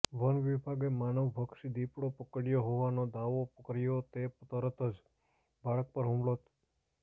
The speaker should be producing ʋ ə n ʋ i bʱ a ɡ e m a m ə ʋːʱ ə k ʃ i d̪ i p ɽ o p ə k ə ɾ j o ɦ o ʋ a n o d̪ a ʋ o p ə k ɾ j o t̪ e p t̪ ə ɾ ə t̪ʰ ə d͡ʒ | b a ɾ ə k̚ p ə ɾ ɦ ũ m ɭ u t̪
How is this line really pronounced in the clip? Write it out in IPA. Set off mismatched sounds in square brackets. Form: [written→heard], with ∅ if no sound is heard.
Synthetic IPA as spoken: ʋ ə n ʋ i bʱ a ɡ e m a [m→n] ə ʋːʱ ə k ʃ i d̪ i p ɽ o p ə k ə [ɾ→ɽ] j o ɦ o ʋ a n o d̪ a ʋ o p ə k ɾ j o t̪ e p t̪ ə ɾ ə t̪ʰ ə d͡ʒ | b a [ɾ→ɭ] ə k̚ p ə ɾ ɦ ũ m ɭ [u→o] t̪